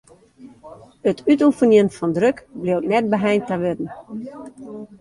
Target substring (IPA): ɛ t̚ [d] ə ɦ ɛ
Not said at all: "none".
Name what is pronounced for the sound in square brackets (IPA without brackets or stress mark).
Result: b